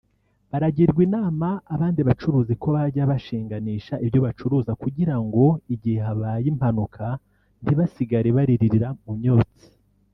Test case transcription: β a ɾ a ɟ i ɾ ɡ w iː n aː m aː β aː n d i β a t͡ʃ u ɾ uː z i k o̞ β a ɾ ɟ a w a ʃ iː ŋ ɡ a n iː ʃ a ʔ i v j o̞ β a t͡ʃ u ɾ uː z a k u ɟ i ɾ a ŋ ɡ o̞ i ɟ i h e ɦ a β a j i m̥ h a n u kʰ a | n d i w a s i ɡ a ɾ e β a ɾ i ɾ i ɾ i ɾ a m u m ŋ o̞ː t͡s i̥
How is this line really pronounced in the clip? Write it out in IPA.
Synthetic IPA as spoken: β a ɾ a ɟ i ɾ ɡ w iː n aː m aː β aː n d i β a t͡ʃ u ɾ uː z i k o̞ β a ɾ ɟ a β a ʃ iː ŋ ɡ a n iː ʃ a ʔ i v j o̞ β a t͡ʃ u ɾ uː z a k u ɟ i ɾ a ŋ ɡ o̞ i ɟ i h e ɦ a β a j i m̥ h a n u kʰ a | n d i β a s i ɡ a ɾ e β a ɾ i ɾ i ɾ i ɾ a m u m ɲ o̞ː t͡s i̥

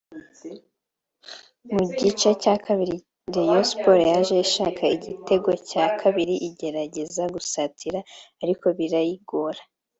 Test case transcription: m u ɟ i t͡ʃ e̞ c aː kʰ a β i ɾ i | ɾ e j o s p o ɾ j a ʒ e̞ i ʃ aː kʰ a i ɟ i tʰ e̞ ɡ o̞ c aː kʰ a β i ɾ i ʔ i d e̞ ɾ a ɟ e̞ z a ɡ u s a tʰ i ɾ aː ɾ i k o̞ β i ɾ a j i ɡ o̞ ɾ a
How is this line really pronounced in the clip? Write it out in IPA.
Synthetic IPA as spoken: m u ɟ i t͡ʃ e̞ c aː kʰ a β i ɾ i | ɾ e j o s p o ɾ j a ʒ e̞ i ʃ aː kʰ a i ɟ i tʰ e̞ ɡ o̞ c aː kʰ a β i ɾ i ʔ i ɟ e̞ ɾ a ɟ e̞ z a ɡ u s a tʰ i ɾ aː ɾ i k o̞ β i ɾ a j i ɡ o̞ ɾ a

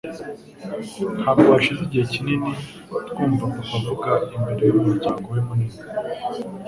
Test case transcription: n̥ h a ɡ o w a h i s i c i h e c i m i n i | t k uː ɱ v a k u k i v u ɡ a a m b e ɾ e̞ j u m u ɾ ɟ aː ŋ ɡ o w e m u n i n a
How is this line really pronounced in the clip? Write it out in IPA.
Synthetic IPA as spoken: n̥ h a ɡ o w a ʃ i z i ɟ i h e c i n i n i | t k uː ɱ v a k u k a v u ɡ a i m b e ɾ e̞ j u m u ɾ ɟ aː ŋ ɡ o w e m u n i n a

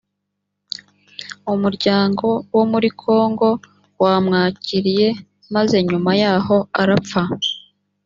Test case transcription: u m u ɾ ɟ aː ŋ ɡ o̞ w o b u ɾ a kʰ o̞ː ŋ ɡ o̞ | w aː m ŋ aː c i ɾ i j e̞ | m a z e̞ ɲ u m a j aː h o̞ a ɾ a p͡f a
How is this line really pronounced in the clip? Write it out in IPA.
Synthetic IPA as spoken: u m u ɾ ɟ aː ŋ ɡ o̞ w o m u ɾ i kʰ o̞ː ŋ ɡ o̞ | w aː m ŋ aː c i ɾ i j e̞ | m a z e̞ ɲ u m a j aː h o̞ a ɾ a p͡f a

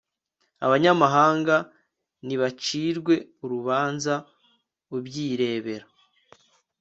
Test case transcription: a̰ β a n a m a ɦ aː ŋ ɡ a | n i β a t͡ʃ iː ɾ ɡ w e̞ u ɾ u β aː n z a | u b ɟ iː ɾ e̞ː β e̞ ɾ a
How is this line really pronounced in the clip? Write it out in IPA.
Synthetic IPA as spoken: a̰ β a ɲ a m a ɦ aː ŋ ɡ a | n i β a t͡ʃ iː ɾ ɡ w e̞ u ɾ u β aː n z a | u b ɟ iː ɾ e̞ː β e̞ ɾ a

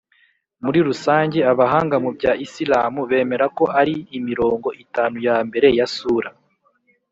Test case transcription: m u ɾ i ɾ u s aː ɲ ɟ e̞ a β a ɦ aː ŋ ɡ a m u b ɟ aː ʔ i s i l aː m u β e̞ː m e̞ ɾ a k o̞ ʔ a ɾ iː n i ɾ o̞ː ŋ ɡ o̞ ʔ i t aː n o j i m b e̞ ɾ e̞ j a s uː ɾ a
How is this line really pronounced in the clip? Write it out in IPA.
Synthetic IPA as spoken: m u ɾ i ɾ u s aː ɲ ɟ e̞ a β a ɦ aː ŋ ɡ a m u b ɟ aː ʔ i s i l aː m u β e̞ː m e̞ ɾ a k o̞ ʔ a ɾ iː m i ɾ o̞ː ŋ ɡ o̞ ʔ i t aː n u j a m b e̞ ɾ e̞ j a s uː ɾ a

